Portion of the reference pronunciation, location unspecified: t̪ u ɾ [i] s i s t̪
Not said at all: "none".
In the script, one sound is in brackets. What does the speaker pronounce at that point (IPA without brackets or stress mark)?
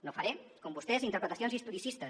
i